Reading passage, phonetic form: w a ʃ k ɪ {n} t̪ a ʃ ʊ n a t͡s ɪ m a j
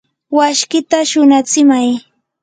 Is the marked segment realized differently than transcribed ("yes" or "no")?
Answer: yes